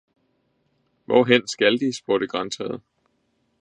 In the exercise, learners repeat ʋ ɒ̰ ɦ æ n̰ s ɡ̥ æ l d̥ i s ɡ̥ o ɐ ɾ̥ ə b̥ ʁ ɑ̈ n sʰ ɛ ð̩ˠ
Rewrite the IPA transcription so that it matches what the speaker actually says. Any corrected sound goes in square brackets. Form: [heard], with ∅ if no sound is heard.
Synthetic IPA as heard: ʋ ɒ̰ ɦ [e] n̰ s ɡ̥ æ l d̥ i s [b̥] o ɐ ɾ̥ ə [ɡ̥] ʁ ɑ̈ n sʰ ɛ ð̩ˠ